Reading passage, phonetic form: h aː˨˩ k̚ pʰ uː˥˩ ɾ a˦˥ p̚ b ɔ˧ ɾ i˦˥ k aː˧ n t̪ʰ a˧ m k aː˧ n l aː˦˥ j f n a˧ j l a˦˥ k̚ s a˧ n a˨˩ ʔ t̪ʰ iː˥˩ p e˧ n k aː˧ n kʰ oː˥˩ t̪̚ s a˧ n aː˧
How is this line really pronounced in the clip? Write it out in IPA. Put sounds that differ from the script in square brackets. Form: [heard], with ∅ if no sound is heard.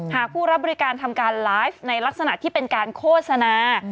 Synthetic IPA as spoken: h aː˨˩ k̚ pʰ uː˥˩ ɾ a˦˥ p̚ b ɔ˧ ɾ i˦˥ k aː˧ n t̪ʰ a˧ m k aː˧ n l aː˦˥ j f n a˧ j l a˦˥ k̚ s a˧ n a˨˩ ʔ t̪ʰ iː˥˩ p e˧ n k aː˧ n kʰ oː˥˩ t̪̚ s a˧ n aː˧